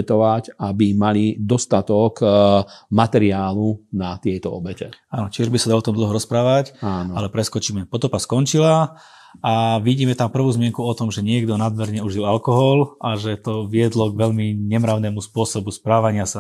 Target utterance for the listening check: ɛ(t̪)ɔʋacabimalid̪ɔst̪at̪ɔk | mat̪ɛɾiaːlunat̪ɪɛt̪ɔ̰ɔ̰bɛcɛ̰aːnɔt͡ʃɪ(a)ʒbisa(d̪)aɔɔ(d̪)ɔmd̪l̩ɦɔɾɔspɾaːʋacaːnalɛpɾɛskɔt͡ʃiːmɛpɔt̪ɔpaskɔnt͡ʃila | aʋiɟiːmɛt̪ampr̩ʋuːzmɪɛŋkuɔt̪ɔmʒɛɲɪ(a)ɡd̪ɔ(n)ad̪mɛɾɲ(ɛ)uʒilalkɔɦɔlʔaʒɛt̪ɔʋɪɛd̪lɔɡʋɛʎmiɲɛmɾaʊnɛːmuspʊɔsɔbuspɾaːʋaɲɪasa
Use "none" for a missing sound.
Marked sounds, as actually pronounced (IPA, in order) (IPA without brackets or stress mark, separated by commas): t̪, ɛ, d̪, t̪, ɛ, n, ɛ